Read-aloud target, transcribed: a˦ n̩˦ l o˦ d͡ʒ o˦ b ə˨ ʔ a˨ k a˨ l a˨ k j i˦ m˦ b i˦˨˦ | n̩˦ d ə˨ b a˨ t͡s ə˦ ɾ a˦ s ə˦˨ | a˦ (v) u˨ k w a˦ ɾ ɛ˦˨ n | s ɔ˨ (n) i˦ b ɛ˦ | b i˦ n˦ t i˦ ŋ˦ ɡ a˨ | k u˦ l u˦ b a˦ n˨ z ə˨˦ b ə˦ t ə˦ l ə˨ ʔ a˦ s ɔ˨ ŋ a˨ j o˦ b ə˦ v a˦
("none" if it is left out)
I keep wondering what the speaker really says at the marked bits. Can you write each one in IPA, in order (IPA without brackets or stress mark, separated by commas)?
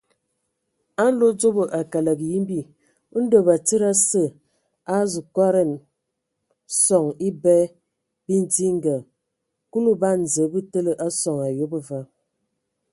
z, ŋ